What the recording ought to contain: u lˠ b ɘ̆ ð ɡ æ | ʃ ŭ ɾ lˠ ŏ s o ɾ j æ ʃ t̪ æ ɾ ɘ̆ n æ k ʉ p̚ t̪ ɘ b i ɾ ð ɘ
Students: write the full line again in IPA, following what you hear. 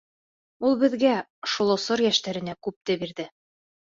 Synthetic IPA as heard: u lˠ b ɘ̆ ð ɡ æ | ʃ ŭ lˠ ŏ s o ɾ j æ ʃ t̪ æ ɾ ɘ̆ n æ k ʉ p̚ t̪ ɘ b i ɾ ð ɘ